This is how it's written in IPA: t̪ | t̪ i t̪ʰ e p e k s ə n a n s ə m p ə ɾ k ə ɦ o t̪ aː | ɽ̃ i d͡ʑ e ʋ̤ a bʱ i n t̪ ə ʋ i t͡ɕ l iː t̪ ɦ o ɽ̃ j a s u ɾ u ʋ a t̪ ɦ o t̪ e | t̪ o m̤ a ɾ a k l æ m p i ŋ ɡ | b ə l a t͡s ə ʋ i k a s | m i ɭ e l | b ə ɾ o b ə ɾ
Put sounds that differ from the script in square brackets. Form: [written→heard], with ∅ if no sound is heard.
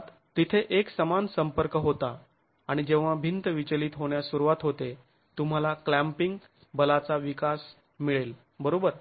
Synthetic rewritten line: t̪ | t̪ i t̪ʰ e [p→ʔ] e k s ə [n→m] a n s ə m p ə ɾ k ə ɦ o t̪ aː | ɽ̃ i d͡ʑ e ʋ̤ a bʱ i n t̪ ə ʋ i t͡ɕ l iː t̪ ɦ o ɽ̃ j a s u ɾ u ʋ a t̪ ɦ o t̪ e | t̪ [o→u] m̤ a [ɾ→l] a k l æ m p i ŋ ɡ | b ə l a t͡s [ə→a] ʋ i k a s | m i ɭ e l | b ə ɾ o b ə ɾ